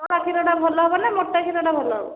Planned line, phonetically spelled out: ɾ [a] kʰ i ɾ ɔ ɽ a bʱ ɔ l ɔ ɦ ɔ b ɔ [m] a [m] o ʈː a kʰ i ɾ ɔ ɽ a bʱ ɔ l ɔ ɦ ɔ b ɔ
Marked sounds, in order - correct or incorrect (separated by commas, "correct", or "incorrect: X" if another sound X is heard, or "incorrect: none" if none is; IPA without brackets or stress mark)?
correct, incorrect: n, correct